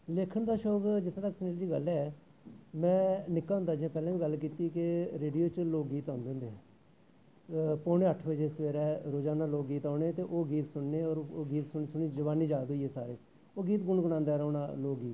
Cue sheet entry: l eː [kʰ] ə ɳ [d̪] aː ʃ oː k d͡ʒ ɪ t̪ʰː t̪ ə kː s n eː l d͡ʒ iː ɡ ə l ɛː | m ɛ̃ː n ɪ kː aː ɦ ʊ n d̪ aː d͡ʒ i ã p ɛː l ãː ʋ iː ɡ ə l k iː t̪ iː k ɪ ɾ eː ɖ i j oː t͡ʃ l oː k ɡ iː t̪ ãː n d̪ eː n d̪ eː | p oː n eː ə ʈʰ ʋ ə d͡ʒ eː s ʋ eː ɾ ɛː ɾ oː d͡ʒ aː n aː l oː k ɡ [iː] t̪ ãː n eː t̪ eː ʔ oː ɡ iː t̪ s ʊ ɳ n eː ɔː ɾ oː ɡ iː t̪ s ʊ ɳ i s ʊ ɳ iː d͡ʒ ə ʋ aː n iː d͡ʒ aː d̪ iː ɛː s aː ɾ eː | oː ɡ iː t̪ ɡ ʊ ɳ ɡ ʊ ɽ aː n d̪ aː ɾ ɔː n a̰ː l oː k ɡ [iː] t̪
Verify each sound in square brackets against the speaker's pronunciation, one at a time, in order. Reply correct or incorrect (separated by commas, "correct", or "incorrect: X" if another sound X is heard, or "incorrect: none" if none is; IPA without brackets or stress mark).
correct, correct, correct, correct